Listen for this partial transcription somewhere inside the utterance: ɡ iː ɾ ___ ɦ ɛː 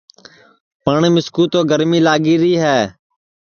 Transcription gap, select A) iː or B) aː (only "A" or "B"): A